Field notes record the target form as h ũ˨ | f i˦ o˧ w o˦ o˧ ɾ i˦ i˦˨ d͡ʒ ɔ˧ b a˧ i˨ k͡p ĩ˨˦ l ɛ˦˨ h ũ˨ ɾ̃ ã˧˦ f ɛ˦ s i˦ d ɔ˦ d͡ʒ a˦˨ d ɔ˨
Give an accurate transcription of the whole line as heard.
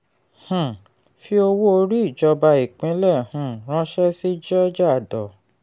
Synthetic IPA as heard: h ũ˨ | f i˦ o˧ w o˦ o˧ ɾ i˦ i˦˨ d͡ʒ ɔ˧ b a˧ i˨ k͡p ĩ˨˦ l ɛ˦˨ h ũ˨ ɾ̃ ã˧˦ ʃ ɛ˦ s i˦ d͡ʒ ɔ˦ d͡ʒ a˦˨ d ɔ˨